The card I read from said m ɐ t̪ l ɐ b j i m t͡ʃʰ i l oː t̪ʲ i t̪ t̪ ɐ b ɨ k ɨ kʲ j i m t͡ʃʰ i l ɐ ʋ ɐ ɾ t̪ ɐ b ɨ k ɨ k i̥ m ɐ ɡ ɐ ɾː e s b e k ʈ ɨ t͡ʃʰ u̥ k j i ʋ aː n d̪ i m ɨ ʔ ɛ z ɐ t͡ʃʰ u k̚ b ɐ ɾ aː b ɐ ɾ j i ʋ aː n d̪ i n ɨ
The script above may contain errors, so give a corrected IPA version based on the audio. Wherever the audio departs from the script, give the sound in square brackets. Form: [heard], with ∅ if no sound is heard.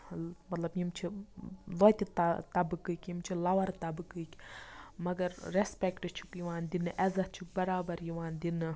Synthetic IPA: m ɐ t̪ l ɐ b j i m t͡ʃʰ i l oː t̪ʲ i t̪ t̪ ɐ b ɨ k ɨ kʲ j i m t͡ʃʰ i l ɐ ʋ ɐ ɾ t̪ ɐ b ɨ k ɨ k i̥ m ɐ ɡ ɐ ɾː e s [p] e k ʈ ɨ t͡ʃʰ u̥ k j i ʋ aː n d̪ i [n] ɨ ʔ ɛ z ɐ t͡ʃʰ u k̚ b ɐ ɾ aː b ɐ ɾ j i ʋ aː n d̪ i n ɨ

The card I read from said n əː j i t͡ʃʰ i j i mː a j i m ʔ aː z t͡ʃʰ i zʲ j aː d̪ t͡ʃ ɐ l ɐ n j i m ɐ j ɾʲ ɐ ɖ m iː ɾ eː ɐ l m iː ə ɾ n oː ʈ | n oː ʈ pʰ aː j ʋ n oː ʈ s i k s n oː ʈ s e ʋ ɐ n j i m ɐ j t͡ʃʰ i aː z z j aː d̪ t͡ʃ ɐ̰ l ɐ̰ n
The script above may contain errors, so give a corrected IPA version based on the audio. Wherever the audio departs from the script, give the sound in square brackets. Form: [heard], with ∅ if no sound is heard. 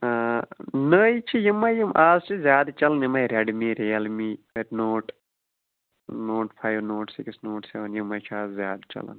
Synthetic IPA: n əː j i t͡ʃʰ i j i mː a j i m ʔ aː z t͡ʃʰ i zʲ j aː d̪ t͡ʃ ɐ l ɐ n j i m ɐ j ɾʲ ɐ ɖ m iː ɾ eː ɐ l m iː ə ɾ n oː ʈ | n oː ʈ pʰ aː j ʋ n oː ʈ s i k s n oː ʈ s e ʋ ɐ n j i m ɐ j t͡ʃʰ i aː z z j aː d̪ t͡ʃ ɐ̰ l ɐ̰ n

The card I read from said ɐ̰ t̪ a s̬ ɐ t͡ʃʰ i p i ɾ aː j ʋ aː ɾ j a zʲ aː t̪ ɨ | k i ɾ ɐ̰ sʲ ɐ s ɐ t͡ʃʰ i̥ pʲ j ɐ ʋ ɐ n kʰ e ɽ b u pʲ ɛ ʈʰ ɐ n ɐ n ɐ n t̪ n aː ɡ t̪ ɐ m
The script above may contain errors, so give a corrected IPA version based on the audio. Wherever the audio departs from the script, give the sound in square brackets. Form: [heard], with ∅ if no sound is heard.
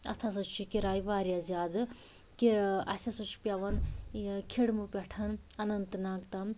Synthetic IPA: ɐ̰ [t̪ʰ] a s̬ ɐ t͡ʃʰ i [k] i ɾ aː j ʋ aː ɾ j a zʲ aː [d̪] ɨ | k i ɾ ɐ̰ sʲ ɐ s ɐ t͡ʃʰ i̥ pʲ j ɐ ʋ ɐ n kʰ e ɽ [m] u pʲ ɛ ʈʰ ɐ n ɐ n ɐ n t̪ n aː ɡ t̪ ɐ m

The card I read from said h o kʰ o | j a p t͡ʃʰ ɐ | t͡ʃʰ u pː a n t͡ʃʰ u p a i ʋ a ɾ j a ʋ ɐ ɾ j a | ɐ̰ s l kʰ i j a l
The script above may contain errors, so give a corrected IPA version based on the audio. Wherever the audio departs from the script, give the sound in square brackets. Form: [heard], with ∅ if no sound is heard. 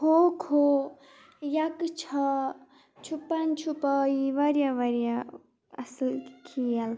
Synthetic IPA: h o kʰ o | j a [k] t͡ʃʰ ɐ | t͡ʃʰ u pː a n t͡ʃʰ u p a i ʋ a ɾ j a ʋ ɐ ɾ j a | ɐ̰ s l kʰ i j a l

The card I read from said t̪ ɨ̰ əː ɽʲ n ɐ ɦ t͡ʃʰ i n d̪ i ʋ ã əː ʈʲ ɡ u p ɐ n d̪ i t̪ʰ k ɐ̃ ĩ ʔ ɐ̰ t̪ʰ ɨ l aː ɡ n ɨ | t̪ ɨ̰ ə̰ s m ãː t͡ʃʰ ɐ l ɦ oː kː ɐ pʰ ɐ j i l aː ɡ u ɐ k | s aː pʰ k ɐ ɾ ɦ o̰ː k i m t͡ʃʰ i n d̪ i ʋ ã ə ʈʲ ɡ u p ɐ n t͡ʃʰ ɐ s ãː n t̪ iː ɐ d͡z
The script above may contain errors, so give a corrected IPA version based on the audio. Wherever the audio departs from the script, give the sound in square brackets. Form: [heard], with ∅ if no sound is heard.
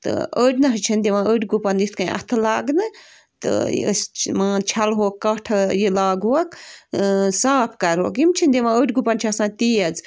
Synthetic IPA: t̪ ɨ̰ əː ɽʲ n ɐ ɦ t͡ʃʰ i n d̪ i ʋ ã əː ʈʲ ɡ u p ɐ n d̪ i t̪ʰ k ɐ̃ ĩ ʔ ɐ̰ t̪ʰ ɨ l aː ɡ n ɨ | t̪ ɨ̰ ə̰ s m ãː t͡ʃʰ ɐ l ɦ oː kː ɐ [ʈʰ] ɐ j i l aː ɡ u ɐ k | s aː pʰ k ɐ ɾ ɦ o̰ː k i m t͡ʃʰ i n d̪ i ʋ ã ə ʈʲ ɡ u p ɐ n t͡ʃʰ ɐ s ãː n t̪ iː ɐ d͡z

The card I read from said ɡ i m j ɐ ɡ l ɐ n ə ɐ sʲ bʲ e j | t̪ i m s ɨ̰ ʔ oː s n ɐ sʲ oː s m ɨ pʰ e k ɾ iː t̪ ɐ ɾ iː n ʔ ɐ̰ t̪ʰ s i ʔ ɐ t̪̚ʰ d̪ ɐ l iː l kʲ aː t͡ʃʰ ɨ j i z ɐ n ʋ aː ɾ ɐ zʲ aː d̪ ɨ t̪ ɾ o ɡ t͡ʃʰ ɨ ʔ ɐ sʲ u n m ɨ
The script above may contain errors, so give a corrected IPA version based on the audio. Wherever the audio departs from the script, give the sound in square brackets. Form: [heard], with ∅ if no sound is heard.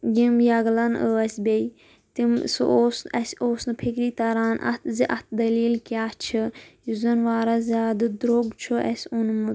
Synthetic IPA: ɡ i m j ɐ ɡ l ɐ n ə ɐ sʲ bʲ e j | t̪ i m s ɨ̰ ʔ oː s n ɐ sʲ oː s [n] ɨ pʰ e k ɾ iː t̪ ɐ ɾ [aː] n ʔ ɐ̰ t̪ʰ [z] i ʔ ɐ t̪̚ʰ d̪ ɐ l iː l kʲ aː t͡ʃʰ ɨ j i z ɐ n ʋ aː ɾ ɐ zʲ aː d̪ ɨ [d̪] ɾ o ɡ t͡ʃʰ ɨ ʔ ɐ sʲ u n m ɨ

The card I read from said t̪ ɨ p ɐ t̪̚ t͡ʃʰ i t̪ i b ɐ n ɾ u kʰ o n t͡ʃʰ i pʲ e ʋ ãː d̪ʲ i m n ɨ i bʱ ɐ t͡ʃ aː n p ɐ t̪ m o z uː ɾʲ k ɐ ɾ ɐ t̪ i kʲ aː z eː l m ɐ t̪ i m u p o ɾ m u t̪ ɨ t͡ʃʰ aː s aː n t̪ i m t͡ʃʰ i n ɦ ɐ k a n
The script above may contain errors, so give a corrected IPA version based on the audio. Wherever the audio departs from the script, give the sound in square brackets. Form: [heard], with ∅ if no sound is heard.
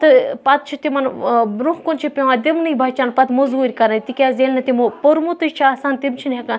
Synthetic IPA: t̪ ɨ p ɐ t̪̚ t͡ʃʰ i t̪ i [m] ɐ n ɾ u [k] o n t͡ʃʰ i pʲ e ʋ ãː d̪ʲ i m n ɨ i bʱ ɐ t͡ʃ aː n p ɐ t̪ m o z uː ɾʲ k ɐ ɾ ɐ t̪ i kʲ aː z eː l [n] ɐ t̪ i m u p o ɾ m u t̪ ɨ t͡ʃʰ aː s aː n t̪ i m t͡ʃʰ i n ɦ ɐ k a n

